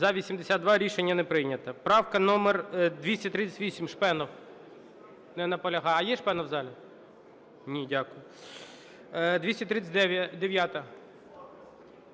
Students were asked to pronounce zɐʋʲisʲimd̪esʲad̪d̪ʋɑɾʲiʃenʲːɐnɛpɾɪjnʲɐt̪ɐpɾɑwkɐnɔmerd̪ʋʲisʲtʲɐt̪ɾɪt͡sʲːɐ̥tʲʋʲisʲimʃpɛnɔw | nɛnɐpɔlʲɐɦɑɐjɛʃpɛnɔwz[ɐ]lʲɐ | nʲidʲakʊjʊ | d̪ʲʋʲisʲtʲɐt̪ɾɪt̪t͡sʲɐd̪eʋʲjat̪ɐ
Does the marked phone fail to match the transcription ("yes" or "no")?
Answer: yes